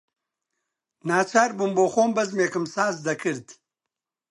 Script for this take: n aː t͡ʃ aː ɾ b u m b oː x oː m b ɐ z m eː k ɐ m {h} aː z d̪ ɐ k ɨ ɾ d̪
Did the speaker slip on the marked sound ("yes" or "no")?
yes